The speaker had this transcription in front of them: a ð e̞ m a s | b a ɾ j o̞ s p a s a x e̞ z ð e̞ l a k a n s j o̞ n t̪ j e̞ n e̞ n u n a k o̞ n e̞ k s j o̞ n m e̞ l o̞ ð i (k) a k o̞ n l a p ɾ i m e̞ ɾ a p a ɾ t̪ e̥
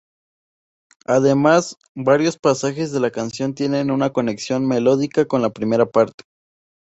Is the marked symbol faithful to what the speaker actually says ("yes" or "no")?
yes